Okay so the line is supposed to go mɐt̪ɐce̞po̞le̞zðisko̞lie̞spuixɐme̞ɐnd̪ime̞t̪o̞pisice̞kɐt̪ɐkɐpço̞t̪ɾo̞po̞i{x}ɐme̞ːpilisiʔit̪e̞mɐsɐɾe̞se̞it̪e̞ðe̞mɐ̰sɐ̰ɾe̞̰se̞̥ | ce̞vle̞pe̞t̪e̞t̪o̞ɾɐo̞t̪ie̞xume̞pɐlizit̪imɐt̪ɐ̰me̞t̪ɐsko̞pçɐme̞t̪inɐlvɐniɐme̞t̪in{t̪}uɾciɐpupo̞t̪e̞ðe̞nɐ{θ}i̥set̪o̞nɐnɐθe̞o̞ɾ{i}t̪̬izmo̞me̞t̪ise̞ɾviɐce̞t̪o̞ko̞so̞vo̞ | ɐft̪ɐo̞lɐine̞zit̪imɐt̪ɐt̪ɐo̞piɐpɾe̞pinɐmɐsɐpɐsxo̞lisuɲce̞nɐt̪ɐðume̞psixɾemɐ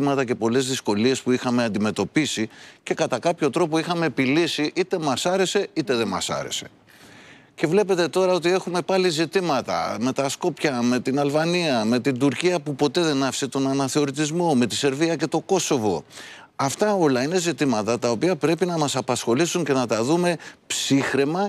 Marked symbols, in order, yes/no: yes, no, no, yes

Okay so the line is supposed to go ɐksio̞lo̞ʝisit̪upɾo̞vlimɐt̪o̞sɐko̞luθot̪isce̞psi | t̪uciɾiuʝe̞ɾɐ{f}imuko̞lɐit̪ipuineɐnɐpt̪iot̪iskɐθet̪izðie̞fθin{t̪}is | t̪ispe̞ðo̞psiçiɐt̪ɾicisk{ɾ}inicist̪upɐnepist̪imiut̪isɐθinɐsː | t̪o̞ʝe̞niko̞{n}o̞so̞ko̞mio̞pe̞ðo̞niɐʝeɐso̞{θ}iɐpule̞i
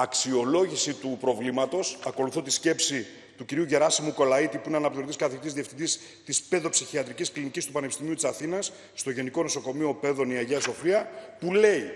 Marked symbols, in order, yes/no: no, no, no, yes, no

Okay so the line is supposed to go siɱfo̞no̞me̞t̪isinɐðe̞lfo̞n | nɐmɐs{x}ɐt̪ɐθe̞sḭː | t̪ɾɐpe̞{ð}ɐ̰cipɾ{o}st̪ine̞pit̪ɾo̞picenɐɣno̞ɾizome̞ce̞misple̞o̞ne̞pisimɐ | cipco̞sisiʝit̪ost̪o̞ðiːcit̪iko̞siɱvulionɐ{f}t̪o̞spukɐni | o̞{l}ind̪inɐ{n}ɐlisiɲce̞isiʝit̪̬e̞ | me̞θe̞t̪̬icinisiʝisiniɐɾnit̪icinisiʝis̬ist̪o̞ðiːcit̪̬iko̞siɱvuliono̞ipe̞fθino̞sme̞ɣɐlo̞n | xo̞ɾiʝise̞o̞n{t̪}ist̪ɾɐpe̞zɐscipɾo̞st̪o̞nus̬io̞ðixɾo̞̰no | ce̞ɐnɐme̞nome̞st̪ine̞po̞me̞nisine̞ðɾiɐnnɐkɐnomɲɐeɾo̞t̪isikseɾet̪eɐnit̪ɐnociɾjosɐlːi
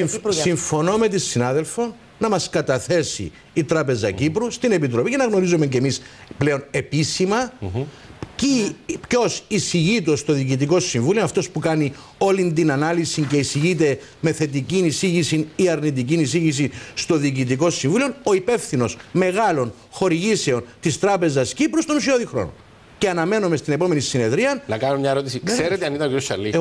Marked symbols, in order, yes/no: no, no, no, yes, yes, yes, yes

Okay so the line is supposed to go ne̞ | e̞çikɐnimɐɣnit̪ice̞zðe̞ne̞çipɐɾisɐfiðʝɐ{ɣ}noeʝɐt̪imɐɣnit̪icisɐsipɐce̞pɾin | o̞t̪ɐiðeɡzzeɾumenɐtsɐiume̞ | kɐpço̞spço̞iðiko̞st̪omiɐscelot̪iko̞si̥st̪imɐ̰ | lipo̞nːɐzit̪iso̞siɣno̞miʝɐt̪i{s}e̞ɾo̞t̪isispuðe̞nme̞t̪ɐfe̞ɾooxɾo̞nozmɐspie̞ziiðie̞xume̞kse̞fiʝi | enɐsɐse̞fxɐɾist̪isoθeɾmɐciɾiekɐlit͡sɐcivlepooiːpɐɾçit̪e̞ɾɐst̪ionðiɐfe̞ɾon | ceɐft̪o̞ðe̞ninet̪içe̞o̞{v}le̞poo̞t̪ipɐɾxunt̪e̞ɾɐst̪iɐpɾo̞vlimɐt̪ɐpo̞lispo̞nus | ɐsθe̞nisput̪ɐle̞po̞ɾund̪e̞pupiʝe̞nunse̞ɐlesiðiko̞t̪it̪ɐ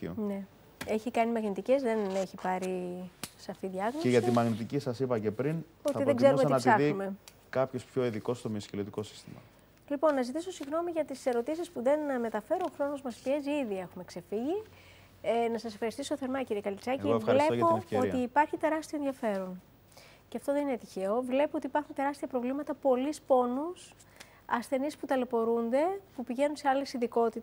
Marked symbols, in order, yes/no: yes, yes, yes

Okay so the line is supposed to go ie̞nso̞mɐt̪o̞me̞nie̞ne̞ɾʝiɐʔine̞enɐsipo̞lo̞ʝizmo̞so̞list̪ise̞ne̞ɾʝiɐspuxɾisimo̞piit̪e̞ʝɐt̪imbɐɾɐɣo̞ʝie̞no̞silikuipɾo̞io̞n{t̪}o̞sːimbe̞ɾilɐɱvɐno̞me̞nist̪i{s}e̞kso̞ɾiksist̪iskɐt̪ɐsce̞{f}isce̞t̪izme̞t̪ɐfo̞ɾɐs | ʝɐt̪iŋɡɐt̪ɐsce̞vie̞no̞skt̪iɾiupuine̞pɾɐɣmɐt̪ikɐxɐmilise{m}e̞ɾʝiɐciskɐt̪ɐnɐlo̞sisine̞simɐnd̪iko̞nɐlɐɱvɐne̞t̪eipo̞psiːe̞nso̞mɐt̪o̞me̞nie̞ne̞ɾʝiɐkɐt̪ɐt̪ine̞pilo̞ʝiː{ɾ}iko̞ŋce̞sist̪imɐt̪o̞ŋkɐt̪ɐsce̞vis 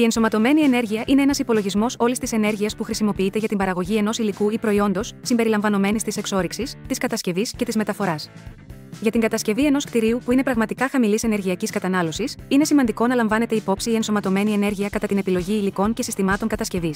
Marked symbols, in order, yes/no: no, yes, no, no, no

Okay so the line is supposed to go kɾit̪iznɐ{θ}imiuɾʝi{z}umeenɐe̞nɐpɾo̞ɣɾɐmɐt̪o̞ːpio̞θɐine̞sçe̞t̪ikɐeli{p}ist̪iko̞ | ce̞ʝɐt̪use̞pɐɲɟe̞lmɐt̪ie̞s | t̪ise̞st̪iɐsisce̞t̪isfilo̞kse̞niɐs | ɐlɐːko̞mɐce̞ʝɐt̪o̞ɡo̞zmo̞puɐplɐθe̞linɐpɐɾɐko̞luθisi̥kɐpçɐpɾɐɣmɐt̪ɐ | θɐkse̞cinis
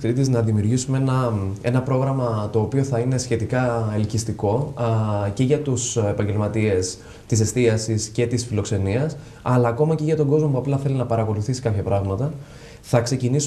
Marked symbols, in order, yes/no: no, no, no

